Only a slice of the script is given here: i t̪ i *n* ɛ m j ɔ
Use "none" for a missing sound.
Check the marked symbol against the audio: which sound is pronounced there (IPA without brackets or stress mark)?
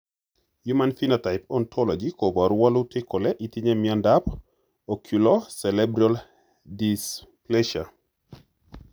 ɲ